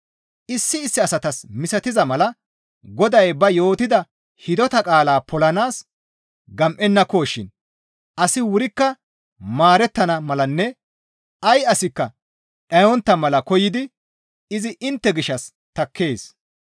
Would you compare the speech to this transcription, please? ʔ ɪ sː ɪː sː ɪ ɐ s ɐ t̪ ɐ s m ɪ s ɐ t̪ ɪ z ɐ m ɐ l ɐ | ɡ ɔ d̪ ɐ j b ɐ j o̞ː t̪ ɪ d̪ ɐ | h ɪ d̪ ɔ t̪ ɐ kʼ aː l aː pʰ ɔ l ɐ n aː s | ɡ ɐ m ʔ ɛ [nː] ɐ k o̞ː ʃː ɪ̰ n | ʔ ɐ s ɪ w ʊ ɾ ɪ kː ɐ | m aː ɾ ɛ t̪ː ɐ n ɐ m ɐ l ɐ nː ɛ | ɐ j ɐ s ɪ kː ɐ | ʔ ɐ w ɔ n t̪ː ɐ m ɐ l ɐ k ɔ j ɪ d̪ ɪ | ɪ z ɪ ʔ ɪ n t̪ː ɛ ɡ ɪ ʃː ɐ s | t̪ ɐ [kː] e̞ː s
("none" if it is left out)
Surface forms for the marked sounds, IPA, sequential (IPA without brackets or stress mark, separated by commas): nː, kː